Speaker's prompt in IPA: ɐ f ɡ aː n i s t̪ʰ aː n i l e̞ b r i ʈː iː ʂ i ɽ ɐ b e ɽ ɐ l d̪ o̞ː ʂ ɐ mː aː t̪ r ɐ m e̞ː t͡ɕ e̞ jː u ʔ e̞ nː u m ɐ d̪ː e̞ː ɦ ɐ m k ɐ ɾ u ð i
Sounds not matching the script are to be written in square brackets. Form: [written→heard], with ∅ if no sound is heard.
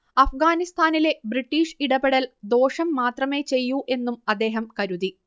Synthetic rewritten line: ɐ f ɡ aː n i s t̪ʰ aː n i l e̞ b r i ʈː iː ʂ i ɽ ɐ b e ɽ ɐ l d̪ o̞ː ʂ ɐ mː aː t̪ r ɐ m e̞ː t͡ɕ e̞ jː u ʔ e̞ nː u m ɐ d̪ː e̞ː ɦ ɐ m k ɐ ɾ u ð i